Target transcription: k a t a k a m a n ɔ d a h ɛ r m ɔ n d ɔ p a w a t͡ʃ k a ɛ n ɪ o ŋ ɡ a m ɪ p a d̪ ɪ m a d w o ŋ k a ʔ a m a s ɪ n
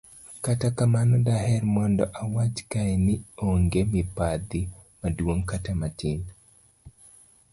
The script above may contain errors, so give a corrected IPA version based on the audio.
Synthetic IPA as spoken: k a t a k a m a n ɔ d a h ɛ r m ɔ n d ɔ ʔ a w a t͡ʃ k a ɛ n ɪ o ŋ ɡ e m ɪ p a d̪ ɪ m a d w o ŋ k a t a m a t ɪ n

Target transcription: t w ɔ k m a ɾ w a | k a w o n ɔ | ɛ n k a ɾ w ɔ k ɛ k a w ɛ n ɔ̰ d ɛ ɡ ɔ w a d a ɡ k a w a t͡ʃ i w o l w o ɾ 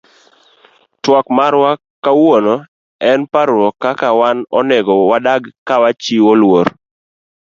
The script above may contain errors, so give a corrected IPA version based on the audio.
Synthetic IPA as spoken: t w ɔ k m a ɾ w a | k a w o n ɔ | ɛ n p a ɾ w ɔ k a k a w a n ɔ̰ n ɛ ɡ ɔ w a d a ɡ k a w a t͡ʃ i w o l w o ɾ

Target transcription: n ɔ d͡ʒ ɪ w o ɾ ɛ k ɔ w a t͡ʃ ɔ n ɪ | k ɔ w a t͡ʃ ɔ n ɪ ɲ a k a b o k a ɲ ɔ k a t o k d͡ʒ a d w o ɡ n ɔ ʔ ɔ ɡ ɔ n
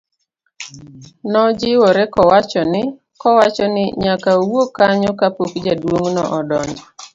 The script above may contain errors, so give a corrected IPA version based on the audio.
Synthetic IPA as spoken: n ɔ d͡ʒ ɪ w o ɾ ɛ k ɔ w a t͡ʃ ɔ n ɪ | k ɔ w a t͡ʃ ɔ n ɪ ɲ a k a w o k a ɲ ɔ k a p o k d͡ʒ a d w o ŋ n ɔ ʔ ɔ d ɔ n

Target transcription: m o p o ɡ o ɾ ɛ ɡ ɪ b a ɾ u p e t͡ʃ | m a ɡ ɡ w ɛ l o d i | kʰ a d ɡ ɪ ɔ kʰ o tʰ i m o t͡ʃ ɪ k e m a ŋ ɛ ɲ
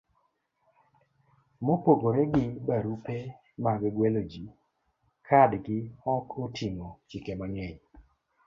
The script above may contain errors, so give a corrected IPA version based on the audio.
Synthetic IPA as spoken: m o p o ɡ o ɾ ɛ ɡ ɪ b a ɾ u p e | m a ɡ ɡ w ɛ l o d͡ʒ i | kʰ a d ɡ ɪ ɔ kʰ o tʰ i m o t͡ʃ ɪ k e m a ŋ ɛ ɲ

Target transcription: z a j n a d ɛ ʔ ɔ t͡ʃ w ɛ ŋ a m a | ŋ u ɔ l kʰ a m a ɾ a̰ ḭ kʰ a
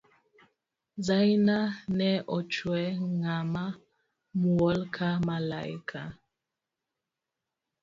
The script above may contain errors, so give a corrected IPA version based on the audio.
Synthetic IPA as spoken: z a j n a n ɛ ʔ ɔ t͡ʃ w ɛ ŋ a m a | m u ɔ l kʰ a m a l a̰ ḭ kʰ a

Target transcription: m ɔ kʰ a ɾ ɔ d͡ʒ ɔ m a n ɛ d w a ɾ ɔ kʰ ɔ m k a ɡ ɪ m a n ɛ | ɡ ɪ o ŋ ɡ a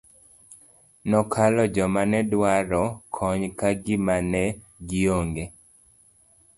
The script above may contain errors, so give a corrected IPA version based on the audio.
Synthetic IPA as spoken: n ɔ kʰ a l ɔ d͡ʒ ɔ m a n ɛ d w a ɾ ɔ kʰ ɔ ɲ k a ɡ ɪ m a n ɛ | ɡ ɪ o ŋ ɡ e

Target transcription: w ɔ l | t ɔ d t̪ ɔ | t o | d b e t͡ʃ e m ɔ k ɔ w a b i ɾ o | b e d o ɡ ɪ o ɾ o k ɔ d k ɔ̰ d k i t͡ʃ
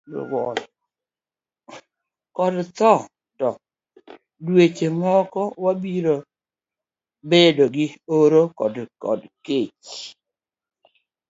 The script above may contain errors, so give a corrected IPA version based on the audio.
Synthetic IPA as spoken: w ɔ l | k ɔ d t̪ ɔ | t ɔ | d w e t͡ʃ e m ɔ k ɔ w a b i ɾ o | b e d o ɡ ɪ o ɾ o k ɔ d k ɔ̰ d k e t͡ʃ

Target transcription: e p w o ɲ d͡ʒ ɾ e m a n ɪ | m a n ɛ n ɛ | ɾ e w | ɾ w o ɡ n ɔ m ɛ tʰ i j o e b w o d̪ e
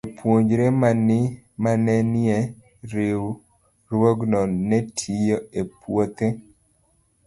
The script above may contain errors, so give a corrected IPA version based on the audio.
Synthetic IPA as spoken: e p w o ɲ d͡ʒ ɾ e m a n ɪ | m a n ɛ n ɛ | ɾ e w | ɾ w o ɡ n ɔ n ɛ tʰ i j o e p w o t̪ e

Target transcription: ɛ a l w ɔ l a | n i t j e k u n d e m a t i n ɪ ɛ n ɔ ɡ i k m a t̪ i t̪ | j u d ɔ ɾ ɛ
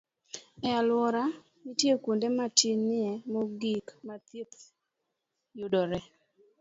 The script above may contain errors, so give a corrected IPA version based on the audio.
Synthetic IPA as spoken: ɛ a l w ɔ ɾ a | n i t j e k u n d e m a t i n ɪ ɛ m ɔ ɡ i k m a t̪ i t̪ | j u d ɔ ɾ ɛ

